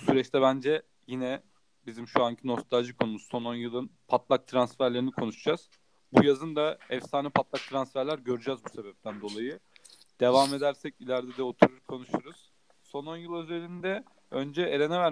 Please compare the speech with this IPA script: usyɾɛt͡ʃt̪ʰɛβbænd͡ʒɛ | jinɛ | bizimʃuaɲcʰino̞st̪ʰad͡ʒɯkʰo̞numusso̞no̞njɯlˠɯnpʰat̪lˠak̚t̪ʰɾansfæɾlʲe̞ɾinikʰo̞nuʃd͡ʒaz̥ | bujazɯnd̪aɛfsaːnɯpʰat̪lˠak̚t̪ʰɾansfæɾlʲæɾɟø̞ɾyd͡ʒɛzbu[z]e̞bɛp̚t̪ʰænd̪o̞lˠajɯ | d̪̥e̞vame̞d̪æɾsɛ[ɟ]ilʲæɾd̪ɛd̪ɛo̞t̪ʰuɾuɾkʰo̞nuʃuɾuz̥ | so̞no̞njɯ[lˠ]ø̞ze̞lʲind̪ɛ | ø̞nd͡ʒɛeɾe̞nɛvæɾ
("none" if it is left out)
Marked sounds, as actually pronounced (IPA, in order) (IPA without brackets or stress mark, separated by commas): s, c, lˠ